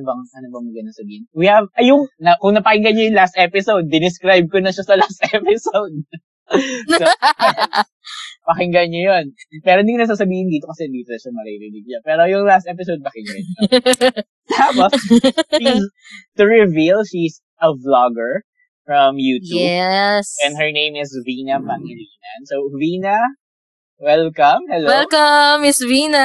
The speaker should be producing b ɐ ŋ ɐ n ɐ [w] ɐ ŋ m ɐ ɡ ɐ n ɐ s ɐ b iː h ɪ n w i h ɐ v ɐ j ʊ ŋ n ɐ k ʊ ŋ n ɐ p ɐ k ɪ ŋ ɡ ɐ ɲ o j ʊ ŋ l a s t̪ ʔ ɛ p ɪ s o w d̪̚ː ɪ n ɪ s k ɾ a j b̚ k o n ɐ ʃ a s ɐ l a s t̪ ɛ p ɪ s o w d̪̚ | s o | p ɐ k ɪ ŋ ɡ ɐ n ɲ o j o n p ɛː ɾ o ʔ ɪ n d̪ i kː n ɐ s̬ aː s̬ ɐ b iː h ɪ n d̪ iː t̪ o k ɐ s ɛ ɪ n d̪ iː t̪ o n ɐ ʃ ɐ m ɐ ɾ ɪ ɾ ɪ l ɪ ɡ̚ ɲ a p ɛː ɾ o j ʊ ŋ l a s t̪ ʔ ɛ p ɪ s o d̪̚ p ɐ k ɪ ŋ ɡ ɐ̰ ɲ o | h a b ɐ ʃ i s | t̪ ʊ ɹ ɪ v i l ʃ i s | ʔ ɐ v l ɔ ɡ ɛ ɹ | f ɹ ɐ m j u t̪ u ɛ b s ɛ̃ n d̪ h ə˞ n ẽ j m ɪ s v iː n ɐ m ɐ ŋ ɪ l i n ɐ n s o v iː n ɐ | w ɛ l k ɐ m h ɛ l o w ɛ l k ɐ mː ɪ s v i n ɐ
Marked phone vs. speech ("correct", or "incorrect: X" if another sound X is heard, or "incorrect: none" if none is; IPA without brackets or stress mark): incorrect: b